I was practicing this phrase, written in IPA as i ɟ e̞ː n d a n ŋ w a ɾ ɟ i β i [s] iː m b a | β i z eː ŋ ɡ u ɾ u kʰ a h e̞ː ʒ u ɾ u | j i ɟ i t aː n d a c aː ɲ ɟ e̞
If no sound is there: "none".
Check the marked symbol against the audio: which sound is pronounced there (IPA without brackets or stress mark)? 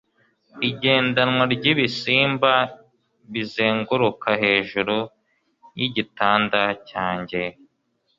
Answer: s